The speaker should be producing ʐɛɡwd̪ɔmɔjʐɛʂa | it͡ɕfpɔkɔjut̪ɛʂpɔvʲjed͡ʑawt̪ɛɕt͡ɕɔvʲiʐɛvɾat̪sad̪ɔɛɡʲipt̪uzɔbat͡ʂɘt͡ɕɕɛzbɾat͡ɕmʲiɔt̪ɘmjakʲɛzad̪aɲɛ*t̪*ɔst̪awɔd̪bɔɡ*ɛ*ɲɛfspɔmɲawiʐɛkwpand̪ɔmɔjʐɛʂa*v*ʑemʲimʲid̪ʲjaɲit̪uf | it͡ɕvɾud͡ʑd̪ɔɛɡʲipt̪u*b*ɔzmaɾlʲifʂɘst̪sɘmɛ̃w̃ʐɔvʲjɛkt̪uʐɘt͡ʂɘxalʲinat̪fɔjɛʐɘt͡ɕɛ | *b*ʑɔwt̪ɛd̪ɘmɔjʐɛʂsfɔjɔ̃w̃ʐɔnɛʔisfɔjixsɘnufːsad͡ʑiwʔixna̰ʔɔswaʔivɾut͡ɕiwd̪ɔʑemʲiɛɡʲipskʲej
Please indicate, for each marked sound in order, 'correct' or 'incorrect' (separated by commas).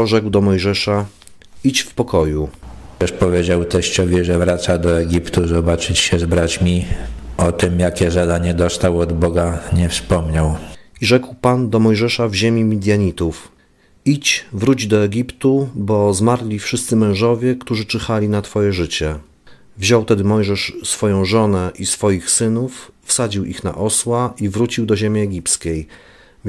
incorrect, incorrect, correct, correct, incorrect